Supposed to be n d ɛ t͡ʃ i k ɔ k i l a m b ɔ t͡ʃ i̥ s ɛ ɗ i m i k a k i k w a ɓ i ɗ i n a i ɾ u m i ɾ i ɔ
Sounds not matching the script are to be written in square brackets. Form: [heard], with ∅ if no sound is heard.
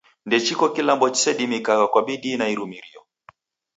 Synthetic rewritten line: n d ɛ t͡ʃ i k ɔ k i l a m b ɔ t͡ʃ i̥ s ɛ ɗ i m i k a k [a] k w a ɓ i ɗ i n a i ɾ u m i ɾ i ɔ